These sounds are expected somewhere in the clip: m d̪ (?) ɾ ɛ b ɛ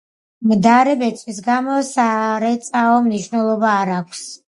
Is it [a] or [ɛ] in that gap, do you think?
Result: a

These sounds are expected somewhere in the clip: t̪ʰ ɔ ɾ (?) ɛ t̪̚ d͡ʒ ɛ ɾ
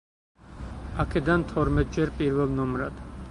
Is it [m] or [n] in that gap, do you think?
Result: m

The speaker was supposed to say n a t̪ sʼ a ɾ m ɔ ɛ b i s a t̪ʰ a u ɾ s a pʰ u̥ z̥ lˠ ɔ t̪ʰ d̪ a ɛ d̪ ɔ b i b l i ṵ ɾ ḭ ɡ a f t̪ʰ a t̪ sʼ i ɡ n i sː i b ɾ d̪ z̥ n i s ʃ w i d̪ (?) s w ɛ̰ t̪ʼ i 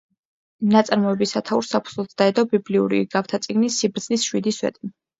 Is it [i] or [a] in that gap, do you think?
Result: i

